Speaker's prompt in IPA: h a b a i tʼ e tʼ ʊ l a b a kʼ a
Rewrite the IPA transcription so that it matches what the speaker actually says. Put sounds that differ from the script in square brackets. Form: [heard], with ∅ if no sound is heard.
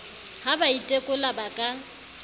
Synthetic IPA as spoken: h a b a i tʼ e [kʼ] ʊ l a b a kʼ a